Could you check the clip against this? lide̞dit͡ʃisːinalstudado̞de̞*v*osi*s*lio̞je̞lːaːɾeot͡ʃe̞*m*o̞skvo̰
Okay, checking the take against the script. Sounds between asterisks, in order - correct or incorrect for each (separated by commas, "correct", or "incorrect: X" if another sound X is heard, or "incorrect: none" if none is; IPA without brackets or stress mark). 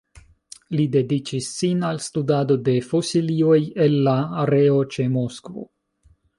incorrect: f, incorrect: none, correct